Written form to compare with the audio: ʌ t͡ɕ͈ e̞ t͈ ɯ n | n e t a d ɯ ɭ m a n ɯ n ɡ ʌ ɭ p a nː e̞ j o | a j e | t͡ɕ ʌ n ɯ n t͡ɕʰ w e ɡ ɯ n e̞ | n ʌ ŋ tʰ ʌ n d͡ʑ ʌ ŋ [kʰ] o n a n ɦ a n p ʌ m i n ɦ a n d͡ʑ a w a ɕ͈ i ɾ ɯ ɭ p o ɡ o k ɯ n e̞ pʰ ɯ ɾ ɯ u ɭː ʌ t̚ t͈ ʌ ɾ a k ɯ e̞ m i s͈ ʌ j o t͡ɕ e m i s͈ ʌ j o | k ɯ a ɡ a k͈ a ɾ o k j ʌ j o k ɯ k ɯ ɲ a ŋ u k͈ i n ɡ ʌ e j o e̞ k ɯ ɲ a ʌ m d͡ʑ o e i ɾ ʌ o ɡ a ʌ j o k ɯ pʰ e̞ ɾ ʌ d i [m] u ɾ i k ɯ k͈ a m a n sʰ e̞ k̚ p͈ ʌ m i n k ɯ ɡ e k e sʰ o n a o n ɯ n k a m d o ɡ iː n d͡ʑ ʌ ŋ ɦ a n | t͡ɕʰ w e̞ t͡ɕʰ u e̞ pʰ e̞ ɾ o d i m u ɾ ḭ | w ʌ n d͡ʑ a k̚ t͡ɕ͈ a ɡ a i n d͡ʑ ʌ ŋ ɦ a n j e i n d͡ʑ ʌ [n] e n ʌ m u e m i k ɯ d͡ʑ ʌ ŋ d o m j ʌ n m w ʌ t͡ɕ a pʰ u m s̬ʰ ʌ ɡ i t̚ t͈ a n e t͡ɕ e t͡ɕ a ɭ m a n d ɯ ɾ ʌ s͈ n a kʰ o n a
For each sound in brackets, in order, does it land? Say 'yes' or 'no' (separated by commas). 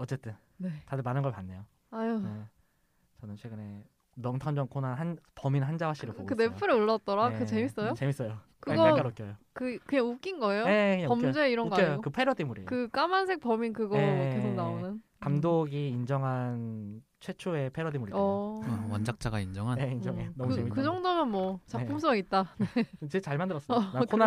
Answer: yes, yes, no